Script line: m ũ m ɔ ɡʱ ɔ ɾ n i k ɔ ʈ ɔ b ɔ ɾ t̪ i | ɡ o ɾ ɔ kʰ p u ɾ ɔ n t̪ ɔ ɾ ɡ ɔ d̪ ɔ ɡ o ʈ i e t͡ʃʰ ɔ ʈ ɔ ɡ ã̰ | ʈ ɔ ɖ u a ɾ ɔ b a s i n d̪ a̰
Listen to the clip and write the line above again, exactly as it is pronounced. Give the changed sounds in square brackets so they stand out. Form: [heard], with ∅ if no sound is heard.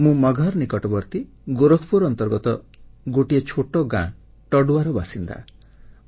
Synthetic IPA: m ũ m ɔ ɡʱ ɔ ɾ n i k ɔ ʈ ɔ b ɔ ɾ t̪ i | ɡ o ɾ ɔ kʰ p u ɾ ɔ n t̪ ɔ ɾ ɡ ɔ [t̪] ɔ ɡ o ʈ i e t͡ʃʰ [o] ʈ ɔ ɡ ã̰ | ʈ ɔ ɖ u a ɾ ɔ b a s i n d̪ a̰